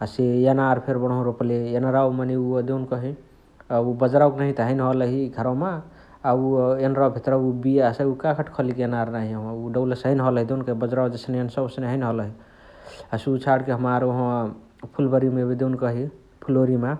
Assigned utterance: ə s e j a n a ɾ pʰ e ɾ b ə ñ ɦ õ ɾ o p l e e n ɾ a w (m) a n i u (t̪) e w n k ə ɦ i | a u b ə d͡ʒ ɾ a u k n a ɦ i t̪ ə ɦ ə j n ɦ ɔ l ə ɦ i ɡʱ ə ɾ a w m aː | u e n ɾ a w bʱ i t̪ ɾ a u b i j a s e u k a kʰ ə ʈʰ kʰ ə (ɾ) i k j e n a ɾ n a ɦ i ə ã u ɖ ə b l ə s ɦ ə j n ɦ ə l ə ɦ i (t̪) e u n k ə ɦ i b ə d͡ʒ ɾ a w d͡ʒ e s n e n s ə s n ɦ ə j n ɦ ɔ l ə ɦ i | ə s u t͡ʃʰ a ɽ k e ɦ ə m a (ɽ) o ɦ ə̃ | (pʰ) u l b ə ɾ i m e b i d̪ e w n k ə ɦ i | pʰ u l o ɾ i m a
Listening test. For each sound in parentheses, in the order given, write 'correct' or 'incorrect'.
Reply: correct, incorrect: d̪, incorrect: l, incorrect: d̪, incorrect: ɾ, correct

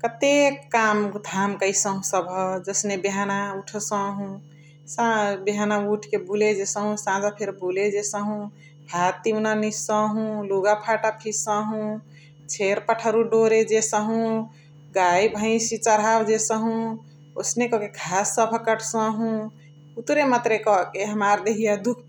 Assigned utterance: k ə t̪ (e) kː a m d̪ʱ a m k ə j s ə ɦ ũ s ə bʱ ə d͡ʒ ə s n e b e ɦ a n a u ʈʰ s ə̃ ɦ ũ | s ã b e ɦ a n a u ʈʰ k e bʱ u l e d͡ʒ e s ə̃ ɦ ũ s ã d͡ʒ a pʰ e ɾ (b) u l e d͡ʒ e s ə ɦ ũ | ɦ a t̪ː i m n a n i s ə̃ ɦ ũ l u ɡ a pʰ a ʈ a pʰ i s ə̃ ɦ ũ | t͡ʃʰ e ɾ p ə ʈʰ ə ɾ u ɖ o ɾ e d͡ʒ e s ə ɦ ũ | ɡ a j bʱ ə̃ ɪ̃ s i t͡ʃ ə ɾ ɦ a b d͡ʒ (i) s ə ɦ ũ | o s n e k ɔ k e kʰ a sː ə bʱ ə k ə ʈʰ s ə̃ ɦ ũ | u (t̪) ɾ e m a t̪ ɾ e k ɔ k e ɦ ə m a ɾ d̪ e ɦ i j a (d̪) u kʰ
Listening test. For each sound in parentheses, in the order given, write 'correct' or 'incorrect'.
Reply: correct, correct, incorrect: e, correct, correct

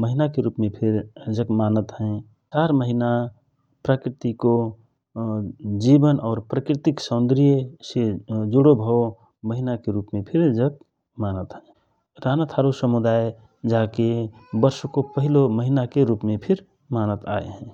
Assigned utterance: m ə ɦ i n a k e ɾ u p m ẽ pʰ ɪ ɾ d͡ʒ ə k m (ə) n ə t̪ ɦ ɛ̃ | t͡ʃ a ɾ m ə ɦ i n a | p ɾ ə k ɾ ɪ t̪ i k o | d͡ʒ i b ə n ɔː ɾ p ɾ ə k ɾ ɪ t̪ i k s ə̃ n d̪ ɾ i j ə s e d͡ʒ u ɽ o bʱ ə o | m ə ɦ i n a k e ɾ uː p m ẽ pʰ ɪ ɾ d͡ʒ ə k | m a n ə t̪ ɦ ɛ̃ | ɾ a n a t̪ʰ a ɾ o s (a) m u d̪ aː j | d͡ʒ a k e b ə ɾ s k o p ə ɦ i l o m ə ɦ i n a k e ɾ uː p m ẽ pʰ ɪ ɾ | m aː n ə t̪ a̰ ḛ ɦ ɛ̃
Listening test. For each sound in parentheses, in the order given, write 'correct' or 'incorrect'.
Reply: incorrect: a, incorrect: ə

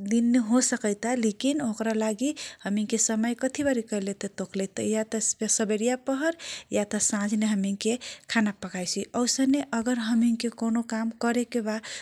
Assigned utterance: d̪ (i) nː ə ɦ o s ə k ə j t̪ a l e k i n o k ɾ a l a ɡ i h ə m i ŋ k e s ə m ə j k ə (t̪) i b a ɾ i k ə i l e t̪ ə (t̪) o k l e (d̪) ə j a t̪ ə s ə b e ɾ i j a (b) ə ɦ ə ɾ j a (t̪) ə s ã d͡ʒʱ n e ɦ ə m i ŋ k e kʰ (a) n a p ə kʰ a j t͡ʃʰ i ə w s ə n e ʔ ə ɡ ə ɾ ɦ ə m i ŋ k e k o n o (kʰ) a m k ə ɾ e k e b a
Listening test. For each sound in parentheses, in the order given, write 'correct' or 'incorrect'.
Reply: correct, incorrect: t̪ʰ, correct, incorrect: t̪, incorrect: p, correct, correct, incorrect: k

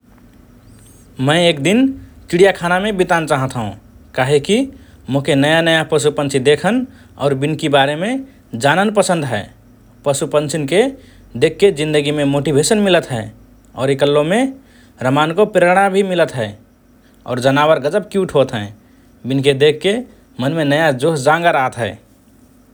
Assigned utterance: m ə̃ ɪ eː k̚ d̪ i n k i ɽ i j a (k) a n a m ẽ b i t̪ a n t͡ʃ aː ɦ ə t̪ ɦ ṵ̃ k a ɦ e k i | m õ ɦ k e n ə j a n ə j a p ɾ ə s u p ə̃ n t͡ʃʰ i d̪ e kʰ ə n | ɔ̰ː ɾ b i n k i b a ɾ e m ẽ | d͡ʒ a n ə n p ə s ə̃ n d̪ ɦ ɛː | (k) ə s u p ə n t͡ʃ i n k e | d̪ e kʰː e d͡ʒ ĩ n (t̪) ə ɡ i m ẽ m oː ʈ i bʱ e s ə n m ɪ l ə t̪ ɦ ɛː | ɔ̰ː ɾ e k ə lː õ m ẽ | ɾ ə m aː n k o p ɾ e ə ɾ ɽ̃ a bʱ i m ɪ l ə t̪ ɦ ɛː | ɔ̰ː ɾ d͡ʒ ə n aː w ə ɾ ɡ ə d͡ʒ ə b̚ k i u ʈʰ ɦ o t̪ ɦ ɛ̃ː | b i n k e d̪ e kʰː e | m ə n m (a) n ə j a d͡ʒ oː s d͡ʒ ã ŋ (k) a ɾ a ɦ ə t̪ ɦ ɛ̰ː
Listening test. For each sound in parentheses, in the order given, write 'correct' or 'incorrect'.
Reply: incorrect: kʰ, incorrect: p, incorrect: d̪, incorrect: e, incorrect: ɡ

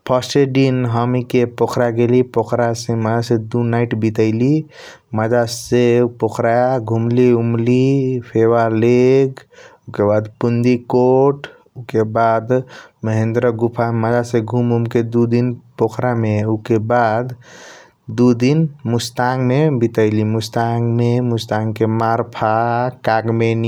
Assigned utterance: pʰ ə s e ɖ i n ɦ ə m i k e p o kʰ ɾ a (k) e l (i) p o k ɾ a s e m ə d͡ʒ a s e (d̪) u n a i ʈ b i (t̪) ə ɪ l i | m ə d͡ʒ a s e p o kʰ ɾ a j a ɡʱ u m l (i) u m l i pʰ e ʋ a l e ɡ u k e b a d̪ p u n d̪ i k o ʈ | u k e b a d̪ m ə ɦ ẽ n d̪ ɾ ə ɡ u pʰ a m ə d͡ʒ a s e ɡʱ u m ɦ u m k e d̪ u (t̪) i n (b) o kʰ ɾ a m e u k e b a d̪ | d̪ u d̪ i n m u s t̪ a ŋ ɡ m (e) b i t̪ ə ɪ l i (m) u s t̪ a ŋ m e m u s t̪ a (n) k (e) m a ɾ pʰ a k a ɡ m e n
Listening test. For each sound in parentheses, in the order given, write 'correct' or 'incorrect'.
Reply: incorrect: ɡ, correct, correct, correct, correct, incorrect: d̪, incorrect: p, correct, correct, incorrect: ŋ, correct

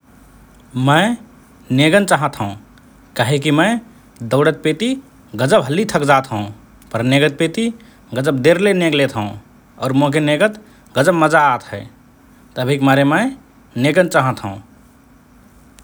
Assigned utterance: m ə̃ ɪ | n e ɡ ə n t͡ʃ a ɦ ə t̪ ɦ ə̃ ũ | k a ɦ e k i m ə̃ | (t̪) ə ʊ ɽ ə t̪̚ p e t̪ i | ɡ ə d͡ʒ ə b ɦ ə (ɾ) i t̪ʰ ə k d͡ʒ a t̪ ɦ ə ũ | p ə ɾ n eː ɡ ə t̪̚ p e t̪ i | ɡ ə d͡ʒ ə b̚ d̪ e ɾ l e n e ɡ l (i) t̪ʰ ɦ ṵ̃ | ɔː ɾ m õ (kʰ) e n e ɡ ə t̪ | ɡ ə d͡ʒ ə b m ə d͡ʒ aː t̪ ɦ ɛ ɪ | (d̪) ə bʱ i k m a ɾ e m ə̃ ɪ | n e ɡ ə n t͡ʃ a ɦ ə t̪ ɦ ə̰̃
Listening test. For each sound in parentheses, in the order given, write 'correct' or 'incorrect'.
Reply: incorrect: d̪, incorrect: l, incorrect: e, incorrect: k, incorrect: t̪

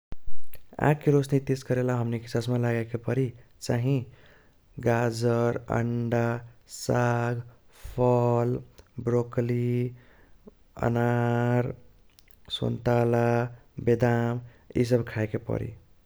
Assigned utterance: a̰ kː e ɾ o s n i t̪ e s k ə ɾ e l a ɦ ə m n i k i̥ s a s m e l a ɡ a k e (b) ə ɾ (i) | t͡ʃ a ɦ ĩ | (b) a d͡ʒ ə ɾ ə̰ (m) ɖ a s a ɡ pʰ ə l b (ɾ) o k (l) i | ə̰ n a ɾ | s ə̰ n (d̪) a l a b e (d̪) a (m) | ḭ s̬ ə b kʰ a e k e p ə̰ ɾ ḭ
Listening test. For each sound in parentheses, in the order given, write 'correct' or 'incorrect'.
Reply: incorrect: p, correct, incorrect: ɡ, incorrect: ɳ, correct, correct, incorrect: t̪, correct, correct

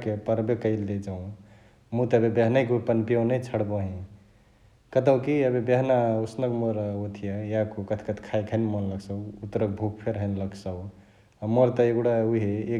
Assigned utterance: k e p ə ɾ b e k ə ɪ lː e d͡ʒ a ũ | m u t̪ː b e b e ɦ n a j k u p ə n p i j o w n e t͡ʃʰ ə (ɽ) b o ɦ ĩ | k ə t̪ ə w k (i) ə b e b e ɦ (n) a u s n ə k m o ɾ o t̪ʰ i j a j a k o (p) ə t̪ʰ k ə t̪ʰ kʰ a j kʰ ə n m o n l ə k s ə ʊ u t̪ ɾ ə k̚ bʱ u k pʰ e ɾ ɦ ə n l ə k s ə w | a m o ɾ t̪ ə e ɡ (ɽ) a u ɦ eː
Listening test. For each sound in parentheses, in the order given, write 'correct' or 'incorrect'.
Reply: correct, correct, correct, incorrect: k, correct

